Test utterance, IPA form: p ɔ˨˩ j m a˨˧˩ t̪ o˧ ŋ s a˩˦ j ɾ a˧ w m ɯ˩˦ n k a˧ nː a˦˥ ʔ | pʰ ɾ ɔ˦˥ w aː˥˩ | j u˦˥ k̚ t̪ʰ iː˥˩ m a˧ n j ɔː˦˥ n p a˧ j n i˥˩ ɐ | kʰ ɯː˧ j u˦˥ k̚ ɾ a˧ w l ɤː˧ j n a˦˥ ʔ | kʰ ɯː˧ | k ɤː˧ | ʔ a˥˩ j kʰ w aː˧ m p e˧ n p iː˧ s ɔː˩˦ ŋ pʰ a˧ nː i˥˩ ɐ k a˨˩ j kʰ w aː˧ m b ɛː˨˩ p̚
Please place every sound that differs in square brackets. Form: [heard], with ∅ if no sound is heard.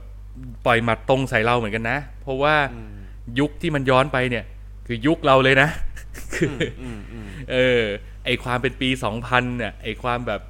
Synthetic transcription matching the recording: p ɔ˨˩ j m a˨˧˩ t̪ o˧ ŋ s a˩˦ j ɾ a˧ w m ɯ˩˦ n k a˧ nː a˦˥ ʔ | pʰ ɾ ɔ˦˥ w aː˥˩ | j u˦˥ k̚ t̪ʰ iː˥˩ m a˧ n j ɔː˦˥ n p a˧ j n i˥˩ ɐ | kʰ ɯː˧ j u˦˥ k̚ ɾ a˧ w l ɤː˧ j n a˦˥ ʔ | kʰ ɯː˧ | [ʔ] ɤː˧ | ʔ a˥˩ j kʰ w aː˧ m p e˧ n p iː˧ s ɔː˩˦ ŋ pʰ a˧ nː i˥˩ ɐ [ʔ] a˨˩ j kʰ w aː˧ m b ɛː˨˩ p̚